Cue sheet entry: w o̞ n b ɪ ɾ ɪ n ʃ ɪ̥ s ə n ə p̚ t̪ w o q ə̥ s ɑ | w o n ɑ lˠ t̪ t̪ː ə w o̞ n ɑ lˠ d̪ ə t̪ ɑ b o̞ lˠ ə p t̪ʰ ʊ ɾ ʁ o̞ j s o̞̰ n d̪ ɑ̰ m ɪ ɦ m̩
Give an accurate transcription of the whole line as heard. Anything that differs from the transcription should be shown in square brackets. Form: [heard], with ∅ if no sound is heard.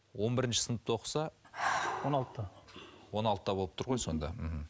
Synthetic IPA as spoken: w o̞ n b ɪ ɾ ɪ n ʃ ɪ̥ s ə n ə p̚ t̪ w o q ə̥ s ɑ | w o n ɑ lˠ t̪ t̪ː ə w o̞ n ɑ lˠ [t̪] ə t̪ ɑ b o̞ lˠ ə p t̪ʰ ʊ ɾ ʁ o̞ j s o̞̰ n d̪ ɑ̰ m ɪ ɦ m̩